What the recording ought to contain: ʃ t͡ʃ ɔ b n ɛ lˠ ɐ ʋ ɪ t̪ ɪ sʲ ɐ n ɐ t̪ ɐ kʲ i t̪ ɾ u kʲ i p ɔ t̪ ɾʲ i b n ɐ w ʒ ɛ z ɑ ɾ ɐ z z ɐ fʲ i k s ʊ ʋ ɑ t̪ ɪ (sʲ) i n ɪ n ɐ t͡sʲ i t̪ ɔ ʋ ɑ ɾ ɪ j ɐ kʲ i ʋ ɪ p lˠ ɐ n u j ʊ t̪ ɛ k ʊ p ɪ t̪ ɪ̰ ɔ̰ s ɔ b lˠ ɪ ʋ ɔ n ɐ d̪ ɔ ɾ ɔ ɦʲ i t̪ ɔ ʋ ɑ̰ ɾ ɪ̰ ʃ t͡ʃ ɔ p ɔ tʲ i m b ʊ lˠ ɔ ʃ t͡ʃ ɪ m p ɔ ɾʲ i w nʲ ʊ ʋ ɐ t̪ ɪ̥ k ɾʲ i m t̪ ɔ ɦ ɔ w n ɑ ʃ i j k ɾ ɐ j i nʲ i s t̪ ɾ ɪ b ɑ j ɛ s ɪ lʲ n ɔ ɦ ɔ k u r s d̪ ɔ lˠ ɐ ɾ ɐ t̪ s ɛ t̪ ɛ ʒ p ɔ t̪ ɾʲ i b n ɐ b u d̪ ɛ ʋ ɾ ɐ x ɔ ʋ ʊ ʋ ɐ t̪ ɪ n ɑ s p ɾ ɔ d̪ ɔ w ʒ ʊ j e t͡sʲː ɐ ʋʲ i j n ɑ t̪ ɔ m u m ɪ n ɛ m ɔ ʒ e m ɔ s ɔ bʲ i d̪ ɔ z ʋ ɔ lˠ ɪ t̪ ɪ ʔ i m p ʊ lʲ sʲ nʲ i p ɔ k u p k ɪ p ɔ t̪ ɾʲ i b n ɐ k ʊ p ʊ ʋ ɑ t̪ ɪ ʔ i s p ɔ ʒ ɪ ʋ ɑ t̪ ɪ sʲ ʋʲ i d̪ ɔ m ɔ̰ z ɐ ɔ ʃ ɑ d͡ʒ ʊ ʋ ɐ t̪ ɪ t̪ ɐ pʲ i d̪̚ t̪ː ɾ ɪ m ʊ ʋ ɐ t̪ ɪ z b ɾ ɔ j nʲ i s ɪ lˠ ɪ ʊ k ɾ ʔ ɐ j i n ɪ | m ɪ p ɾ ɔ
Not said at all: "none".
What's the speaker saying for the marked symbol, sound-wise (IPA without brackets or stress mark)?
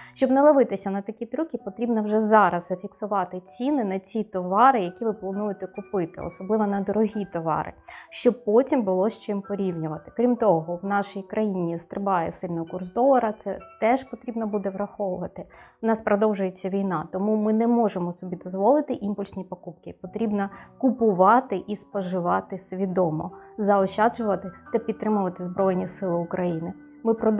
t͡sʲ